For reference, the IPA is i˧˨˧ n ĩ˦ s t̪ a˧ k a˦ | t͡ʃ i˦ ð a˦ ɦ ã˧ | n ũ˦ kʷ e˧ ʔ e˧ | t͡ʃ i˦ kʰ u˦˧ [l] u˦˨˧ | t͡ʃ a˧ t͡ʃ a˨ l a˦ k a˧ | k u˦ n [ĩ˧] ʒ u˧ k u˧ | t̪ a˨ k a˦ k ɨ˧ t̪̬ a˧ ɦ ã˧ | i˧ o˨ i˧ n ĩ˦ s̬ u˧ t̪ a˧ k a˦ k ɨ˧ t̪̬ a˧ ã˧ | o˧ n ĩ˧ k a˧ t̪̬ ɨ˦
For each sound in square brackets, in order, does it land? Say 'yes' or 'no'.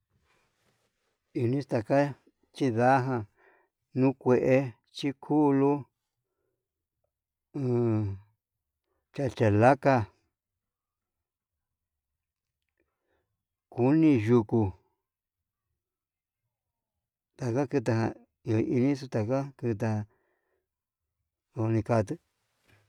yes, yes

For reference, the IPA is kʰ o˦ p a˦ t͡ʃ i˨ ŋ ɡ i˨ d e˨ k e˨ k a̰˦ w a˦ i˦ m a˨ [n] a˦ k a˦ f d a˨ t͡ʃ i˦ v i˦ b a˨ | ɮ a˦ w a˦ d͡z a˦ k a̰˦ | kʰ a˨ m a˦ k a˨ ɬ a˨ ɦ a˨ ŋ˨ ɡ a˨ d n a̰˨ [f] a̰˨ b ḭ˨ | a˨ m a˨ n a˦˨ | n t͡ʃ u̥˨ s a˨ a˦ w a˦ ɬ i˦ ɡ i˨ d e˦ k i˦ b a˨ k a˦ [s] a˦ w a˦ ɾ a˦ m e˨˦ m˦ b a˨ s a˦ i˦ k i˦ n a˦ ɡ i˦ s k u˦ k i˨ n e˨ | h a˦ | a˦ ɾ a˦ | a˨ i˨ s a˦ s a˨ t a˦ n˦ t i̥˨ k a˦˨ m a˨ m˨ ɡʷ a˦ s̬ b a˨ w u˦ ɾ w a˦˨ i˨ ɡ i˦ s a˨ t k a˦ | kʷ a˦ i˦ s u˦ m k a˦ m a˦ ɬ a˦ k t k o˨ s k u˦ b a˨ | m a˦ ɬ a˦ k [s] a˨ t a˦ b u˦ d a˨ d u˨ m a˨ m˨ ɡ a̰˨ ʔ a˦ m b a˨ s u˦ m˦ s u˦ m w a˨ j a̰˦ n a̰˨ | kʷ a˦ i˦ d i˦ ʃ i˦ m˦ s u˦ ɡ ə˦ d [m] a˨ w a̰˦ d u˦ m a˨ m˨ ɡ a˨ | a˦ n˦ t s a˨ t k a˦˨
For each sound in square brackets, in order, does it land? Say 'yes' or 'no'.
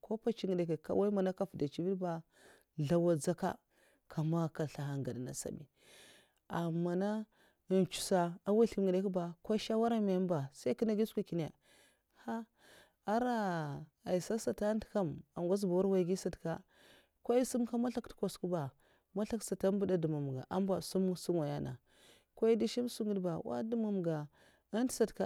yes, no, no, yes, no

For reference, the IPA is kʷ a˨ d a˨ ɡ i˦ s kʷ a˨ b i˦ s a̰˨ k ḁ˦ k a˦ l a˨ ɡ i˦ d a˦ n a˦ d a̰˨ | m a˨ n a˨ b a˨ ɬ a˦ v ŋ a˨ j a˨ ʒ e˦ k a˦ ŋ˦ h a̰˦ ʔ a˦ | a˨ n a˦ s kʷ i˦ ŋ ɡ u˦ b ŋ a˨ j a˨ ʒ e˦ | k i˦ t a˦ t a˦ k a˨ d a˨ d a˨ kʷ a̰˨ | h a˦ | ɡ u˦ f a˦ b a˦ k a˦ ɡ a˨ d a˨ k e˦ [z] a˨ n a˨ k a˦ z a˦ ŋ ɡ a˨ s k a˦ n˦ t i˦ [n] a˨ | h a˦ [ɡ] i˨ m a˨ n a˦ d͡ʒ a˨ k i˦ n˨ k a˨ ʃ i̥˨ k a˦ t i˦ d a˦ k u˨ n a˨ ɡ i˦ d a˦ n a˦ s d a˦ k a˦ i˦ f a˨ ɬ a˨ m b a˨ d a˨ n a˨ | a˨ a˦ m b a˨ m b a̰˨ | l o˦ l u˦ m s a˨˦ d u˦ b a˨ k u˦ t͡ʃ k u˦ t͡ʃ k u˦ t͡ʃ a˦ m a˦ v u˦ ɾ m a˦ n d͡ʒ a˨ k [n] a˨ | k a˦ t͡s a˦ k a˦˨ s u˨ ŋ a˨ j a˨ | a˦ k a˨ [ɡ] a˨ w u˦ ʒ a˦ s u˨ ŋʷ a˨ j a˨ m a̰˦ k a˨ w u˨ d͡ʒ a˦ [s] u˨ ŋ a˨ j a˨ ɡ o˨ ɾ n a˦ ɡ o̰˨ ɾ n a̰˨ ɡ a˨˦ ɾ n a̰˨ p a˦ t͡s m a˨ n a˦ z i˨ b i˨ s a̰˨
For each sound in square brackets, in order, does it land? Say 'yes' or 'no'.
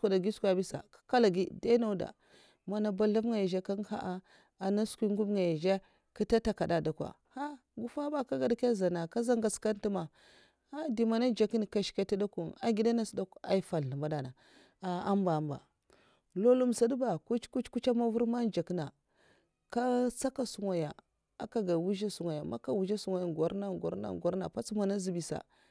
yes, no, no, yes, yes, yes

